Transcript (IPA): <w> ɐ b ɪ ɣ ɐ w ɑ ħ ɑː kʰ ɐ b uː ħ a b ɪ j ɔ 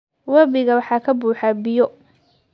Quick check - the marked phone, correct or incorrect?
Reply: correct